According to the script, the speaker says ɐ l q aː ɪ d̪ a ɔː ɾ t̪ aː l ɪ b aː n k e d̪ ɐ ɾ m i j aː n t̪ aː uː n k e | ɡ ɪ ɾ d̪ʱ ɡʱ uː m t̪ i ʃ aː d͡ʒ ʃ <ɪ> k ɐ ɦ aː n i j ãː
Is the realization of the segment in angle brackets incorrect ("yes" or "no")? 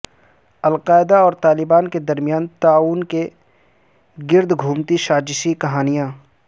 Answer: yes